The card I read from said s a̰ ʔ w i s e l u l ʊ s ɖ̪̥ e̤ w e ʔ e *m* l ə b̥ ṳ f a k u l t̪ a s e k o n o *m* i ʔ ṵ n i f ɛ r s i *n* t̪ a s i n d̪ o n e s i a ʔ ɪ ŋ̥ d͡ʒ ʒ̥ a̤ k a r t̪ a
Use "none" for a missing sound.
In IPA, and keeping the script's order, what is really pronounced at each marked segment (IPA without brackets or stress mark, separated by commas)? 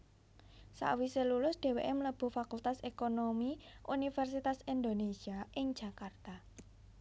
m, m, none